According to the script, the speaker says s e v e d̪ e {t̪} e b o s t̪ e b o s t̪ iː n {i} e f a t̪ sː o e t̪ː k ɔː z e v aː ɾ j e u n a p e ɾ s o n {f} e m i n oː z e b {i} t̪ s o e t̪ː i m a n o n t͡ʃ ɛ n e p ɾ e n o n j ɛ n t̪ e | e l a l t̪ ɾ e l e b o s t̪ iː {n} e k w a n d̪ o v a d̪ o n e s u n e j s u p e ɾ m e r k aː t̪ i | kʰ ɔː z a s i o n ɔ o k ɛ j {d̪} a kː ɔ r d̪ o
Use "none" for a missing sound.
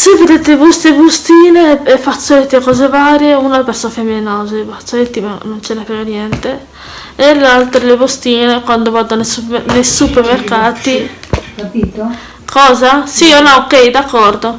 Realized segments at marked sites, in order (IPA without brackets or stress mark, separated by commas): t̪, e, f, a, n, d̪